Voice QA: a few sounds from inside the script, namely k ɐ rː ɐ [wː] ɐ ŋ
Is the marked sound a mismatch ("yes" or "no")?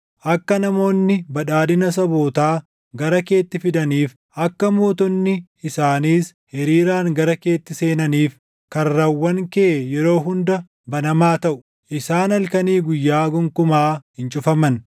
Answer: no